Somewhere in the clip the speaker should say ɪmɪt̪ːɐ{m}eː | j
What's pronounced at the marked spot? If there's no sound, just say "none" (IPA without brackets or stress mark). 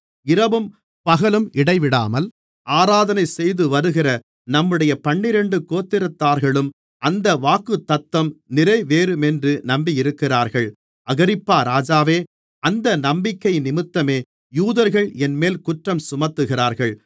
m